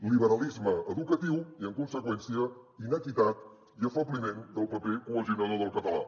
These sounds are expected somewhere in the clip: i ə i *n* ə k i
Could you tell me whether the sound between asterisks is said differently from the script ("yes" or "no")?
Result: no